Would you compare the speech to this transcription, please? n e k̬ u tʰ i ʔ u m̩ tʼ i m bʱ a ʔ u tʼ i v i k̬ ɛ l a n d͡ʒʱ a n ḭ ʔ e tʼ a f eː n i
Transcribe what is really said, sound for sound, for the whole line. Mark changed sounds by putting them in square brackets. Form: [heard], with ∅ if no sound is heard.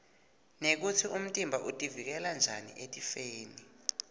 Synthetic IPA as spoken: n e k̬ u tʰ i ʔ u m̩ tʼ i m bʱ a ʔ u tʼ i v i k̬ ɛ l a n d͡ʒʱ a n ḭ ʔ e tʼ [i] f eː n i

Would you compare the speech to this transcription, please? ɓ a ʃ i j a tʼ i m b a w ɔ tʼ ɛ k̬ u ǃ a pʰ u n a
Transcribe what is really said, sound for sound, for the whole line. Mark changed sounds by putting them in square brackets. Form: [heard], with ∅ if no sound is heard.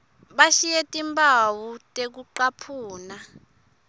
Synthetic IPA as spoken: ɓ a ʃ i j [e] tʼ i m b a w [u] tʼ [e] k̬ u ǃ a pʰ [uː] n a

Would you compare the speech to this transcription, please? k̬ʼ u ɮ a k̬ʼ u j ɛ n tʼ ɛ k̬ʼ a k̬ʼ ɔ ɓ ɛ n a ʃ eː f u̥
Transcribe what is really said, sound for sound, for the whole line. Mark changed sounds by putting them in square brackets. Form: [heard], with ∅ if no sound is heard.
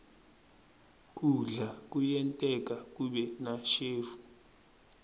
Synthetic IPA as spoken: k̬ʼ u ɮ a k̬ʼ u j ɛ n tʼ ɛ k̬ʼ a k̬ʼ [u] ɓ ɛ n a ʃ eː f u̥

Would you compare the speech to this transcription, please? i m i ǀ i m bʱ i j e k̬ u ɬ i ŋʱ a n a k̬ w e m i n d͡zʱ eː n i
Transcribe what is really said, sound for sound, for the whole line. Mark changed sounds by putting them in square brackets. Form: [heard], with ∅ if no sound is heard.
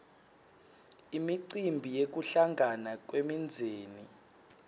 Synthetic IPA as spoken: i m i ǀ i m bʱ i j e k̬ u ɬ [a] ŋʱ a n a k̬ w e m i n d͡zʱ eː n i

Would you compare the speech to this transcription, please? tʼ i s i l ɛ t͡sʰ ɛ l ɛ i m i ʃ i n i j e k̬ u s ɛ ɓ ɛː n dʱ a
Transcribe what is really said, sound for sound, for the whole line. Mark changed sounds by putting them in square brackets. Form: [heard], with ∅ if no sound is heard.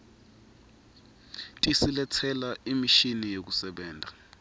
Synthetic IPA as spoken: tʼ i s i l ɛ t͡sʰ ɛ l [a] i m i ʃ i n i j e k̬ u s ɛ ɓ ɛː n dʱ a

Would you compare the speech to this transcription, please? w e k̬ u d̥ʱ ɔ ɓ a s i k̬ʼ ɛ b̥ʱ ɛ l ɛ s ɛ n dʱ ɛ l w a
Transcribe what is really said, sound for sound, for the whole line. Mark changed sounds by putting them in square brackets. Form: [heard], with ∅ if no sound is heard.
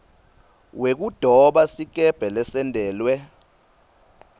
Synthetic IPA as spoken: w e k̬ u d̥ʱ ɔ ɓ a s i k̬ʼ ɛ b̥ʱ ɛ l ɛ s ɛ n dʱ [ɛː] l w [ɛ]

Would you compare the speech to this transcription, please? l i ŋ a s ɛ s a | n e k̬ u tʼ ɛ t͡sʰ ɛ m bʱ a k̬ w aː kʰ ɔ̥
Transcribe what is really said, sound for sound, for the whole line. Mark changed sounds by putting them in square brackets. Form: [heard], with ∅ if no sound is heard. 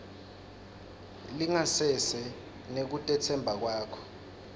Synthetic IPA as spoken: l i ŋ a s ɛ s [ɛ] | n e k̬ u tʼ ɛ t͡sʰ ɛ m bʱ a k̬ w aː kʰ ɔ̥

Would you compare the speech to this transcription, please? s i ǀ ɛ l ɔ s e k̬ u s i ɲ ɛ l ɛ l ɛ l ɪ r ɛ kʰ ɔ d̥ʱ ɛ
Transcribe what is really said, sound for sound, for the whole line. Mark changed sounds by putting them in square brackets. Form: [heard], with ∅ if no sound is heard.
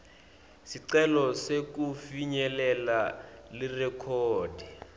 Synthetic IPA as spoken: s i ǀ ɛ l ɔ s e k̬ u [f] i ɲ ɛ l ɛ l [a] l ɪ r ɛ kʰ [ɔː] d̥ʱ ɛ

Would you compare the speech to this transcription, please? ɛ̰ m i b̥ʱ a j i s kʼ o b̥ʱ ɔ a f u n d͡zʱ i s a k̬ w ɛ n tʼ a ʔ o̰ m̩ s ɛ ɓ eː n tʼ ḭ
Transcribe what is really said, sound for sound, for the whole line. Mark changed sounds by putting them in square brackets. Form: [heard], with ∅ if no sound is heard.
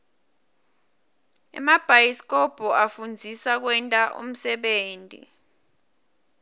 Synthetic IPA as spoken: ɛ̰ m [a] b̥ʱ a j i s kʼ [ɔ] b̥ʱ ɔ a f u n d͡zʱ i s a k̬ w ɛ n tʼ a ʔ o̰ m̩ s ɛ ɓ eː n tʼ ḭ

